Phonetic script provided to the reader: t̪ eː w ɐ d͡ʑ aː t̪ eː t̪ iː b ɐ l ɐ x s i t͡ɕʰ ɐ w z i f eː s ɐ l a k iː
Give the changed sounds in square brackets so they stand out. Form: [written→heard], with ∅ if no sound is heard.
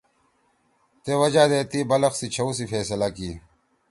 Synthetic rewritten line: t̪ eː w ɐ d͡ʑ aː [t̪→d̪] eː t̪ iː b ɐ l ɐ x s i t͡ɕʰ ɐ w [z→s] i f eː s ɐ l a k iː